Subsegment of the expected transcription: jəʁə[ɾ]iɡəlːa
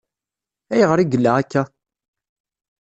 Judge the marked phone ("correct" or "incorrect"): correct